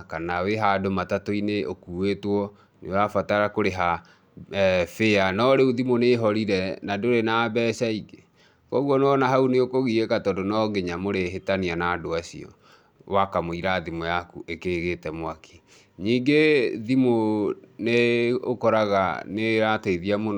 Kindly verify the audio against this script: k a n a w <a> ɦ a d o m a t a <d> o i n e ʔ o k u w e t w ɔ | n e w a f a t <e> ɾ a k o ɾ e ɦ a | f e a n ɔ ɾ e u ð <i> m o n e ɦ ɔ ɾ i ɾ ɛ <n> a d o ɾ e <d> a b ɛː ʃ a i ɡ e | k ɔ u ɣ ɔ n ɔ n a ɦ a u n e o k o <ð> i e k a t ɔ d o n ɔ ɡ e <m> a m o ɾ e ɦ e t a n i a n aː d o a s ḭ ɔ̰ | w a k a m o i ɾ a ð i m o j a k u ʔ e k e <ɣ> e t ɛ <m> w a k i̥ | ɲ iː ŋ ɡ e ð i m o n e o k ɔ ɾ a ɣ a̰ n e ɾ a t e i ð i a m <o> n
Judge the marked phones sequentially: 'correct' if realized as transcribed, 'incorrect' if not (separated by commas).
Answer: incorrect, incorrect, incorrect, correct, correct, incorrect, incorrect, incorrect, correct, correct, correct